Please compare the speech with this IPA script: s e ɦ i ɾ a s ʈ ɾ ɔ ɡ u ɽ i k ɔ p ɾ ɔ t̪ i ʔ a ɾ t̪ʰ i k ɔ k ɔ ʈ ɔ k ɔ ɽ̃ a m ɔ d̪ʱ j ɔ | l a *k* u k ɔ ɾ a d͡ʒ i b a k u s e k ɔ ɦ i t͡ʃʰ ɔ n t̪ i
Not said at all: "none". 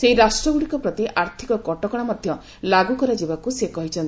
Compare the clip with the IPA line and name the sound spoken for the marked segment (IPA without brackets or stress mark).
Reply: ɡ